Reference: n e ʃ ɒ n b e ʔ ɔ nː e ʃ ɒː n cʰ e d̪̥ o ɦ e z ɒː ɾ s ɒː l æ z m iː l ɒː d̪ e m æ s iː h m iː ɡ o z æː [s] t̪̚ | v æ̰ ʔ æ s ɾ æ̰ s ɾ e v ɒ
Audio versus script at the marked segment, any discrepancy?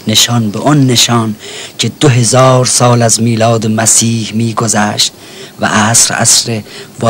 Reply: yes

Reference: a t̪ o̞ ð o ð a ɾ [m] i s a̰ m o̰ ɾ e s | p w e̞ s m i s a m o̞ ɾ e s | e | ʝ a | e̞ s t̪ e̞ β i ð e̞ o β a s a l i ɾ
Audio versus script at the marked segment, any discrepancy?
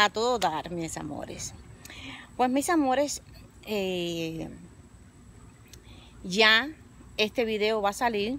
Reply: no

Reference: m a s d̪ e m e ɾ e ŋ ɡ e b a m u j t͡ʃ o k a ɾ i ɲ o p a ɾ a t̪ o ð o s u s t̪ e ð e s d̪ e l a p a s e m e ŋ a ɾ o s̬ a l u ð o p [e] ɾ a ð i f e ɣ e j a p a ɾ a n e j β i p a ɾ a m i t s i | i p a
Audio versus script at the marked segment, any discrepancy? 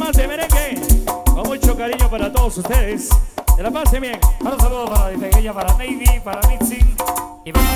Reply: yes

